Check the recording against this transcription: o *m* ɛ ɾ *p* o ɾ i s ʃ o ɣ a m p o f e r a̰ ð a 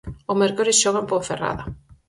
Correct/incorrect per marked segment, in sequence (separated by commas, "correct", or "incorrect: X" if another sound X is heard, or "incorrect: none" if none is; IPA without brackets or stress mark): correct, incorrect: k